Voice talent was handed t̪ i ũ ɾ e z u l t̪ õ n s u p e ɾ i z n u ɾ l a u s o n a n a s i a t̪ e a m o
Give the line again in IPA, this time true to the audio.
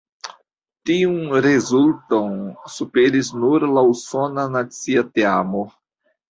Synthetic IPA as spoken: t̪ i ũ ɾ e z u l t̪ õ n s u p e ɾ i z n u ɾ l a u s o n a n a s i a t̪ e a m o